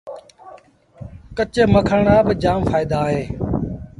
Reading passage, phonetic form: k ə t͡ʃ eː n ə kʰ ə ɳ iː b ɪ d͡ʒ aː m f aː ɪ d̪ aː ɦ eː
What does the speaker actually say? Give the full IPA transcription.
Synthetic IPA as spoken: k ə t͡ʃ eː m ə kʰ ə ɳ aː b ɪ d͡ʒ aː m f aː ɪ d̪ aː ɦ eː